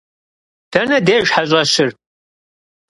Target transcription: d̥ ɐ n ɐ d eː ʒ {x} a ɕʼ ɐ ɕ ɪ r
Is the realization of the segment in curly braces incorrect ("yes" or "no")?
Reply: yes